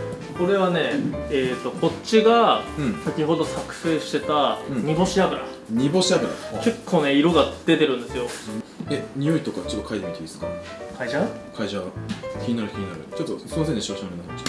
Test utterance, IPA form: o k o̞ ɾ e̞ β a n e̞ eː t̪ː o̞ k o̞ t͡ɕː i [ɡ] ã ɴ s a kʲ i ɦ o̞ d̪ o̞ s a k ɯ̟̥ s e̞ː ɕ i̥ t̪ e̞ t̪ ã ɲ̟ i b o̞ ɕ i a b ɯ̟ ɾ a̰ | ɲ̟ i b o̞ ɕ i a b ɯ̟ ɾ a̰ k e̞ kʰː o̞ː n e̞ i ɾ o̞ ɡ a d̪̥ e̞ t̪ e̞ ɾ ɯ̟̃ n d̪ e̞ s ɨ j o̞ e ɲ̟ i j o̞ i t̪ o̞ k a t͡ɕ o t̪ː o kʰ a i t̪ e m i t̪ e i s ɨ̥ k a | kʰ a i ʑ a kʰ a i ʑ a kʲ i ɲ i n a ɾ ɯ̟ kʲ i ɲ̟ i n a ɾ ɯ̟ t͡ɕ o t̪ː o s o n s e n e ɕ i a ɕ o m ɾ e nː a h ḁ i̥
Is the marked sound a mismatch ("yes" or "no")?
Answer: no